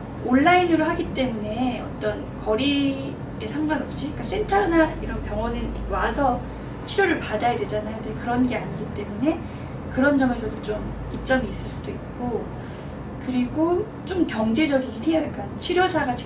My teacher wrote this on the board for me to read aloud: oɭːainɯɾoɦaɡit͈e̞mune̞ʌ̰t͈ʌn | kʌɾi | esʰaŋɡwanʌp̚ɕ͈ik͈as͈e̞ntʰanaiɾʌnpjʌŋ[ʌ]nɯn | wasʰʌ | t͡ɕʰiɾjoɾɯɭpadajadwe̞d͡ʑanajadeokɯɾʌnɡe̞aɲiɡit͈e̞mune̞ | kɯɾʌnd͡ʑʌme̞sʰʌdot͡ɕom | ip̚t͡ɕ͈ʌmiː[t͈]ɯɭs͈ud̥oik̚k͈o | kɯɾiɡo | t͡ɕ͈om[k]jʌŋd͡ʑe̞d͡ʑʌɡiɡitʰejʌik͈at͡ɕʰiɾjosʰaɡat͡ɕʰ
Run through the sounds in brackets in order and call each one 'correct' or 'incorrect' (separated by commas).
correct, incorrect, correct